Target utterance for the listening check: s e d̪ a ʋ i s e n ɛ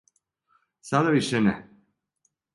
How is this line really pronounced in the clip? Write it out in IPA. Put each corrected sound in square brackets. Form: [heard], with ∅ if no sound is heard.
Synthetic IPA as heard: s [a] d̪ a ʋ i [ʃ] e n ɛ